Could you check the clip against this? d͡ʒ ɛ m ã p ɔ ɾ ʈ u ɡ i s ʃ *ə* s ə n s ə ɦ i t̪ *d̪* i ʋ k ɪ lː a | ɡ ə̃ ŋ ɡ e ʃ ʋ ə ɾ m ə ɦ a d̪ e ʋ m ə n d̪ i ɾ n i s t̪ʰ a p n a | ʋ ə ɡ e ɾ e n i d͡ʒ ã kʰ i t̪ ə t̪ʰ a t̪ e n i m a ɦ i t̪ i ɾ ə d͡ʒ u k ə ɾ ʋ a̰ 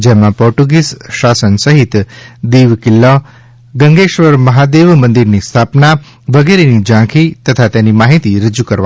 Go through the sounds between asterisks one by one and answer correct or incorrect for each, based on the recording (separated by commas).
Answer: incorrect, correct